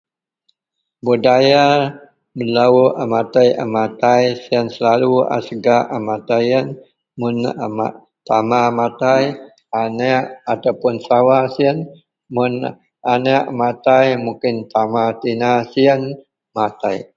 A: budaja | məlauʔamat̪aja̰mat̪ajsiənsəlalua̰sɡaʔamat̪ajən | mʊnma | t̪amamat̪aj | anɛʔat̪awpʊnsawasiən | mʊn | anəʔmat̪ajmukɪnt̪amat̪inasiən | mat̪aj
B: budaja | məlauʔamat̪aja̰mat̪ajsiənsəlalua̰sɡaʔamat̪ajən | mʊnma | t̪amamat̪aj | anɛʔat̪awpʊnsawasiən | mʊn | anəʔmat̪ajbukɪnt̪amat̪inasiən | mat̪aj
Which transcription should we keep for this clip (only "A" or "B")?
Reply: A